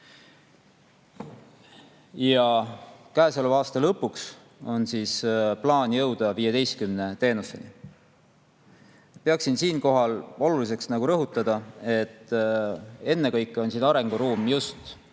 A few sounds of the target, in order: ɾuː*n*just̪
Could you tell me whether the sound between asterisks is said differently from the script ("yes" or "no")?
yes